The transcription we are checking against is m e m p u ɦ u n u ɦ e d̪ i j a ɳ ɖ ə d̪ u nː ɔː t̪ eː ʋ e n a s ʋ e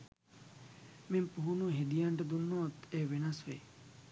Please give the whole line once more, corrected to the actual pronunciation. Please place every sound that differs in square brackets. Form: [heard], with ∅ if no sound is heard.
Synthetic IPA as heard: m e m p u ɦ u n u ɦ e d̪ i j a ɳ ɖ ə d̪ u nː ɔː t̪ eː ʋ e n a s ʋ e